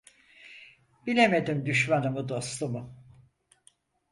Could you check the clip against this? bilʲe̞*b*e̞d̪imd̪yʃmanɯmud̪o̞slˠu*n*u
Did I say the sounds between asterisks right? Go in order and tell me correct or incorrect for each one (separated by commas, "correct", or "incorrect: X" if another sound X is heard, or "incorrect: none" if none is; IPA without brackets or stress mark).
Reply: incorrect: m, incorrect: m